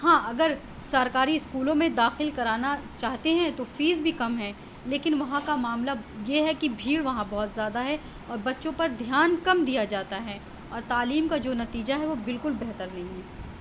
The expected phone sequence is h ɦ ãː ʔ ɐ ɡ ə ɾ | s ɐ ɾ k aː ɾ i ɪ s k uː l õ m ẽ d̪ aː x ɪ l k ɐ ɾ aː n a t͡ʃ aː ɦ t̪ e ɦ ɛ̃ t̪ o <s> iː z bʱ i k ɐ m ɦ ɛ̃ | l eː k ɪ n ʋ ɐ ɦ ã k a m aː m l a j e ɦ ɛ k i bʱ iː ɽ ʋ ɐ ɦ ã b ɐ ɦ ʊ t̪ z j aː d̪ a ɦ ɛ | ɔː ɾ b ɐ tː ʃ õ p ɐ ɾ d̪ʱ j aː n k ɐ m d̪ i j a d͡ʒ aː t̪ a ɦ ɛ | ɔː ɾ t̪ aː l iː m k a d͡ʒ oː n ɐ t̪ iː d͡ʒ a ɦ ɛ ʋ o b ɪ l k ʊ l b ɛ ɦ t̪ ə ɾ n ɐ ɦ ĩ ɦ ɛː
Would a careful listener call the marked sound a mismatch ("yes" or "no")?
yes